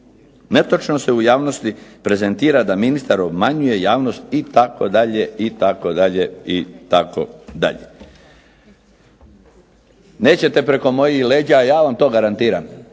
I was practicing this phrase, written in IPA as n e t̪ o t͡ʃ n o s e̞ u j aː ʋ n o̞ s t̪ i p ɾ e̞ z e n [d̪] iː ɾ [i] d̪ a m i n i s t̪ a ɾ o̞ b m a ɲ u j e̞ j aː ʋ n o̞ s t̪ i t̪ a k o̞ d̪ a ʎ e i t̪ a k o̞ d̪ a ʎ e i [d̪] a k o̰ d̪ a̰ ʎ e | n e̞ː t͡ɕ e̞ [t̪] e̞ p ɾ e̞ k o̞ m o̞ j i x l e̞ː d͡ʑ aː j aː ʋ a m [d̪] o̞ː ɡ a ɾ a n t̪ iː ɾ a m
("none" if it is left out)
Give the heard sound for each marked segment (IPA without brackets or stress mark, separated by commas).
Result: t̪, a, t̪, t̪, t̪